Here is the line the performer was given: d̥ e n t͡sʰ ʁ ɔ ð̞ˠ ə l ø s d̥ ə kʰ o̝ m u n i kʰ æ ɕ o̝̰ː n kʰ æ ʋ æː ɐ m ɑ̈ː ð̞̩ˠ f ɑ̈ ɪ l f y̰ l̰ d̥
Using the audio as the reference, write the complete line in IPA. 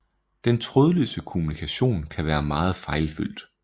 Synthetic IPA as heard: d̥ e n t͡sʰ ʁ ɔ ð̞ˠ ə l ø s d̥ ə kʰ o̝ m u n i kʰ æ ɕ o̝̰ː n kʰ æ ʋ æː ɐ m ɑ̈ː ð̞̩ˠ f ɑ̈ ɪ l f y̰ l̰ d̥